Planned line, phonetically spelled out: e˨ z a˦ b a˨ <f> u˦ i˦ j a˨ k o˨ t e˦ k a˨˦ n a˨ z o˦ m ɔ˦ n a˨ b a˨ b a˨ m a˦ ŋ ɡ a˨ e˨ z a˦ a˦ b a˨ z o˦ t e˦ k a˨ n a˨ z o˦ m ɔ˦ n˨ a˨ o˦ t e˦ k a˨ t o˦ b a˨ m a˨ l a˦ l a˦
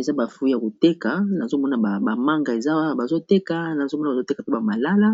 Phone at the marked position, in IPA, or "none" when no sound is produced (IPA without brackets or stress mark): f